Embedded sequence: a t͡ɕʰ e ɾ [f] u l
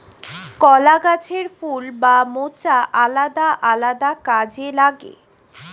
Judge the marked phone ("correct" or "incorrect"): correct